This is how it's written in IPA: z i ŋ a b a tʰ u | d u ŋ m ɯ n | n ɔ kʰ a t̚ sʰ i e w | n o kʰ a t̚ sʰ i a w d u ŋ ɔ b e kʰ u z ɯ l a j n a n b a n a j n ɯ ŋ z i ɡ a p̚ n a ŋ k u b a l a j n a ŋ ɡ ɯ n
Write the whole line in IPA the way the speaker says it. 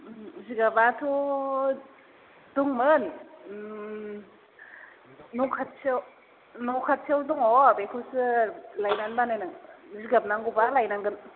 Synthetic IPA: z i ɡ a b a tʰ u | d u ŋ m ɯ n | n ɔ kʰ a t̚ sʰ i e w | n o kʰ a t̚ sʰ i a w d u ŋ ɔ b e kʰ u s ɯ l a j n a n b a n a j n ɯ ŋ z i ɡ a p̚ n a ŋ ɡ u b a l a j n a ŋ ɡ ɯ n